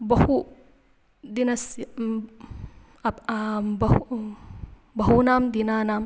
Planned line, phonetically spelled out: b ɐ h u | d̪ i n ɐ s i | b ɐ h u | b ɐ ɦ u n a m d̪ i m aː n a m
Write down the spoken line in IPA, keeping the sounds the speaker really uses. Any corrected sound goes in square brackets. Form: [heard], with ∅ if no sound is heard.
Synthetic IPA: b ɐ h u | d̪ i n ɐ s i | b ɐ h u | b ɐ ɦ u n a m d̪ i [n] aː n a m